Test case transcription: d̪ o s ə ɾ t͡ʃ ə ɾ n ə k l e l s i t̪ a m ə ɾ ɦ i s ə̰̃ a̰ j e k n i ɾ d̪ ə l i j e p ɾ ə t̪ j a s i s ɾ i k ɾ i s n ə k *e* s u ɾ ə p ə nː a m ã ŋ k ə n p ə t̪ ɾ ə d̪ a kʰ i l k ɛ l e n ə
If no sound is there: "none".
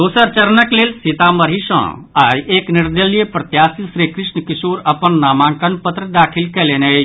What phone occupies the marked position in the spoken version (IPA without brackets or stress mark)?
i